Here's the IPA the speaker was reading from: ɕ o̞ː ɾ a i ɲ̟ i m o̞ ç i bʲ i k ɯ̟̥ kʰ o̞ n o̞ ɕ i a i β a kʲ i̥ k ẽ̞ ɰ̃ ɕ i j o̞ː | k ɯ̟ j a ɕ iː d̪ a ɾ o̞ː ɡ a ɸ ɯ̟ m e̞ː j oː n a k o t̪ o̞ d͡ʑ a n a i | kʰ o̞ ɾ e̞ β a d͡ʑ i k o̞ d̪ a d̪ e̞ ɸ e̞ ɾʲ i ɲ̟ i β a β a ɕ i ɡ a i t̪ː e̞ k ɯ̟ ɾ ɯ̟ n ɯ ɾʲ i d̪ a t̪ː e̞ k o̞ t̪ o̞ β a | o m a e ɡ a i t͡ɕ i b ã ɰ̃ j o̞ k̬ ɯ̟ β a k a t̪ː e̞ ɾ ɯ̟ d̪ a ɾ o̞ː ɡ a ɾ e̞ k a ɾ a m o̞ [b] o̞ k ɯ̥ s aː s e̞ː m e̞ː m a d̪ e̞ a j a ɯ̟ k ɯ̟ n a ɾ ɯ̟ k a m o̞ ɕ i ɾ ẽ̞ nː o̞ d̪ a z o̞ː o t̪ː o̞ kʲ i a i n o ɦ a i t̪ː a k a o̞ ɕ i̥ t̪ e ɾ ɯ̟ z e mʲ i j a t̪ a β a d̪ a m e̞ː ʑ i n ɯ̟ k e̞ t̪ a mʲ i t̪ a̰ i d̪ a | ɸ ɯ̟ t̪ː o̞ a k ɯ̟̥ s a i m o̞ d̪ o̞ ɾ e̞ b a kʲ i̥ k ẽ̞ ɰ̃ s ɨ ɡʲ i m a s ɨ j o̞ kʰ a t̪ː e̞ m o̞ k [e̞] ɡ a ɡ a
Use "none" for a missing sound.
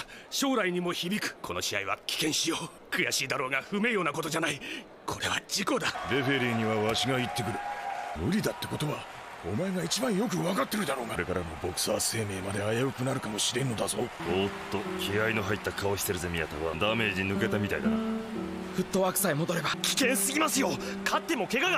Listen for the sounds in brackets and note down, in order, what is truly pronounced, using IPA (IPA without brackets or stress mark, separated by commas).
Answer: b, e̞